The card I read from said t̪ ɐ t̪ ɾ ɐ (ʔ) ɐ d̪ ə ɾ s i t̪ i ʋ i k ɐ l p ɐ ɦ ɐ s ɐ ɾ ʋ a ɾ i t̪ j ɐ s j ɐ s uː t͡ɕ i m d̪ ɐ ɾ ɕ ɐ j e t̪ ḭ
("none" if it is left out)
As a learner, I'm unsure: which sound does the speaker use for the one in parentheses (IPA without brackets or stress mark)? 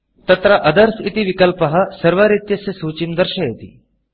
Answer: ʔ